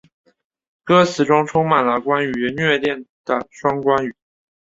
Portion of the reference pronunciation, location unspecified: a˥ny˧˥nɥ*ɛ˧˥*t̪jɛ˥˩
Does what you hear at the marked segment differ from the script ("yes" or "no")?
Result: yes